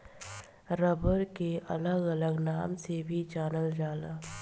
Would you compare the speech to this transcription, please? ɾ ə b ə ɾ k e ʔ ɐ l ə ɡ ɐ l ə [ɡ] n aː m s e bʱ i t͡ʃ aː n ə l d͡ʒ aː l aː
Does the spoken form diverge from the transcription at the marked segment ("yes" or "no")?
no